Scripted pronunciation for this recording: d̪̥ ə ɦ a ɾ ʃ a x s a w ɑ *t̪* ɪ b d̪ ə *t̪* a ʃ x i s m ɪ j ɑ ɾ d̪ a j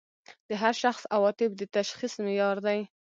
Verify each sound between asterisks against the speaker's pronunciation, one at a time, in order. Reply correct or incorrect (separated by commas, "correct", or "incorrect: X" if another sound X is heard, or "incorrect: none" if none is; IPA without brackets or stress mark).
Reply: correct, correct